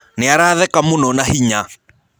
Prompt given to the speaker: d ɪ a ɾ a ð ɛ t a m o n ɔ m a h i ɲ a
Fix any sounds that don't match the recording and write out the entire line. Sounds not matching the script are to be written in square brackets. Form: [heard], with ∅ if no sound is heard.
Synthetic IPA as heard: [n] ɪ a ɾ a ð ɛ [k] a m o n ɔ [n] a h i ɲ a